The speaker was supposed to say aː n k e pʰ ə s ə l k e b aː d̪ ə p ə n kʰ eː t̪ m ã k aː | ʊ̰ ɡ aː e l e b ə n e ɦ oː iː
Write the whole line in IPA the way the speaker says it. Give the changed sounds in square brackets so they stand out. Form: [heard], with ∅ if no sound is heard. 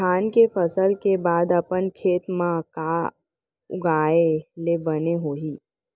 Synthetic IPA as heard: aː n k e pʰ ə s ə l k e b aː d̪ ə p ə n kʰ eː t̪ m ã k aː | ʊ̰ ɡ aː e l e b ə n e ɦ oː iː